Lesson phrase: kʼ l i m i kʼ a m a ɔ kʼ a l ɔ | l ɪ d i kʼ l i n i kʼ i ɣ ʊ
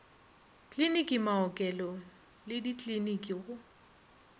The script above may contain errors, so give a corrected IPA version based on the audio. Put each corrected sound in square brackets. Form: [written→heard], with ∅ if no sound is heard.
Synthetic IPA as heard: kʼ l i [m→n] i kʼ [a→i] m a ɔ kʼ [a→ɛ] l ɔ | l ɪ d i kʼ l i n i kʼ i ɣ ʊ